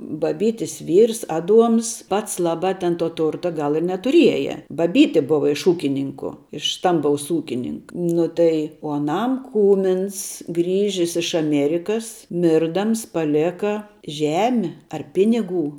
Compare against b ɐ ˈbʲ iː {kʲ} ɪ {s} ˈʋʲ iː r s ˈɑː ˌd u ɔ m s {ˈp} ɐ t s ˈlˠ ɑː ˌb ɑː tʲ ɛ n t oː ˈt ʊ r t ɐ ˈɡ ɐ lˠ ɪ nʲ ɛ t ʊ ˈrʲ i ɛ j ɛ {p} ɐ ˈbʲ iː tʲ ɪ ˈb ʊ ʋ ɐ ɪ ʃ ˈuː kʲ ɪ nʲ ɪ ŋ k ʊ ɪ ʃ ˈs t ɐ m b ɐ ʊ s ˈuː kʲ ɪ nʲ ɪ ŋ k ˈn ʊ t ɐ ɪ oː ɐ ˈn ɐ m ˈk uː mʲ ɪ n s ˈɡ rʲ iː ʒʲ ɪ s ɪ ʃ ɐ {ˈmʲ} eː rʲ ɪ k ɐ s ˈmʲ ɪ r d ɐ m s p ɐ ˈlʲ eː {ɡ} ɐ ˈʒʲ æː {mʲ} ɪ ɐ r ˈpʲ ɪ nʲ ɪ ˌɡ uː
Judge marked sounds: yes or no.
no, yes, yes, no, yes, no, yes

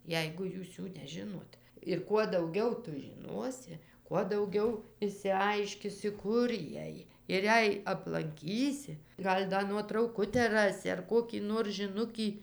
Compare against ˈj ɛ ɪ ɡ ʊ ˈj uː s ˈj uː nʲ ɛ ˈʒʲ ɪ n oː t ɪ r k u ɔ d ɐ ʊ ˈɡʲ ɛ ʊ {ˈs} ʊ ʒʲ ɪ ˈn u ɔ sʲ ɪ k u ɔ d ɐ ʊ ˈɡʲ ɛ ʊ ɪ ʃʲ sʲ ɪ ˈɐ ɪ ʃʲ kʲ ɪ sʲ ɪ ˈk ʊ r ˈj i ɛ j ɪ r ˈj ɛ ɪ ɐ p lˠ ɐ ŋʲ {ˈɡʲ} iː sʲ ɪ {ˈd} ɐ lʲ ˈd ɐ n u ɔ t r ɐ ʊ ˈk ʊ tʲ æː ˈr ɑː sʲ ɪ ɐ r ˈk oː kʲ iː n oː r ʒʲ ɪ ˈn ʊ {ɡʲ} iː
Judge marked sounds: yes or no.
no, no, no, no

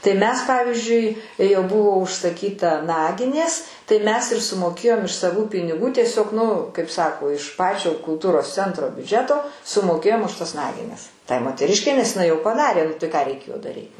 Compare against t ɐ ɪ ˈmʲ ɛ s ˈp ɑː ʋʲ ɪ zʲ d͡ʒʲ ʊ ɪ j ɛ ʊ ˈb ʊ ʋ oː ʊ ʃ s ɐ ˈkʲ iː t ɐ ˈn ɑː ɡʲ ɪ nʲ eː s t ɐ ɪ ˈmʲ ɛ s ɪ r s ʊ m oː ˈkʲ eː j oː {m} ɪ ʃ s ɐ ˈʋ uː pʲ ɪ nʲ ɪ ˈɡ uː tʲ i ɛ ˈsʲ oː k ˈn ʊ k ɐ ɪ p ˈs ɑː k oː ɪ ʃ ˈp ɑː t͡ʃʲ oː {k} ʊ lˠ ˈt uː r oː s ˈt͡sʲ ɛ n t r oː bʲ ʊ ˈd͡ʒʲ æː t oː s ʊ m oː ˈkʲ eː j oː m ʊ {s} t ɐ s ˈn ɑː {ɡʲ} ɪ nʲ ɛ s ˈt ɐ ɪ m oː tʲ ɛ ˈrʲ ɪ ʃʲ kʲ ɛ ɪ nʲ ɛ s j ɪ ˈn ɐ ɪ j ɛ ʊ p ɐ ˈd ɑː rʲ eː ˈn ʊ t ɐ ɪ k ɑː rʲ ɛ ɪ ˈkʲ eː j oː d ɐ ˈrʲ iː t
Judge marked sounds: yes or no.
yes, yes, no, yes

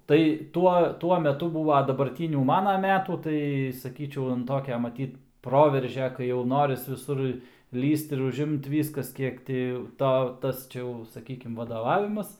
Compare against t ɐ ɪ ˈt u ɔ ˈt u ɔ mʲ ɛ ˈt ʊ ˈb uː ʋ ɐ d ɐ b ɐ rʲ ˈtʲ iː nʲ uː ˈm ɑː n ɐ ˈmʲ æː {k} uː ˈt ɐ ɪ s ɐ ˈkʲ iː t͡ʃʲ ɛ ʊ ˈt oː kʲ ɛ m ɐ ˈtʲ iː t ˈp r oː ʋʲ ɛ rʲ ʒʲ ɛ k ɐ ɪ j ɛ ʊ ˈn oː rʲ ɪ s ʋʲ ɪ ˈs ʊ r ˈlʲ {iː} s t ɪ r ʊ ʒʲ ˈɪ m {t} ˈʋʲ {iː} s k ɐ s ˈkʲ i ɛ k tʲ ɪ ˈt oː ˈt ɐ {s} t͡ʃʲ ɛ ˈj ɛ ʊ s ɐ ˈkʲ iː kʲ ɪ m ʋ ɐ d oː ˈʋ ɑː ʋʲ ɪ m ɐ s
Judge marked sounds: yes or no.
no, yes, yes, yes, yes

